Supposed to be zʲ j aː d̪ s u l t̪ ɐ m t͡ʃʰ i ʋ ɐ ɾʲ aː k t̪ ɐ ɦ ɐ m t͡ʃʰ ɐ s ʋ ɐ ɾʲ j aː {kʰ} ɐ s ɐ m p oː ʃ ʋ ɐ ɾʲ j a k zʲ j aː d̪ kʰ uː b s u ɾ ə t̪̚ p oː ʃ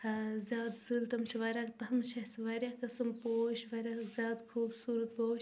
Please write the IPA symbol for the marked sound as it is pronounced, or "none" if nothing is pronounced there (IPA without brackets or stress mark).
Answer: k